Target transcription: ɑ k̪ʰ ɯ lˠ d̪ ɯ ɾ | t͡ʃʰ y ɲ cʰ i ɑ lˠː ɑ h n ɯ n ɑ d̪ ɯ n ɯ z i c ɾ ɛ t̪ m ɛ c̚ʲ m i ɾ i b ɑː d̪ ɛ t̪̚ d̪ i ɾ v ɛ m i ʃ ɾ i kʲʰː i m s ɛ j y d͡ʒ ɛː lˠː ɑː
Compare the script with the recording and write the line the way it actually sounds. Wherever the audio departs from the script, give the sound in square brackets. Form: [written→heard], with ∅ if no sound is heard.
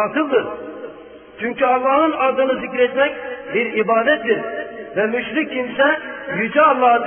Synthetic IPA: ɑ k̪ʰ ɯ lˠ d̪ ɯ ɾ | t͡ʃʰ y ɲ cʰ [i→y] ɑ lˠː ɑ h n ɯ n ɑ d̪ ɯ n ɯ z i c ɾ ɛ t̪ m ɛ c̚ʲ [m→b] i ɾ i b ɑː d̪ ɛ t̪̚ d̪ i ɾ v ɛ m [i→y] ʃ ɾ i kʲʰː i m s ɛ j y d͡ʒ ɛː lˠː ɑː